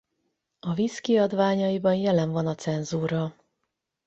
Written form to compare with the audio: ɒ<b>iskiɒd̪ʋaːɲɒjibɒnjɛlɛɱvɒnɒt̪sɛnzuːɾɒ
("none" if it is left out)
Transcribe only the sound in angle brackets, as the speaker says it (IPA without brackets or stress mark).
v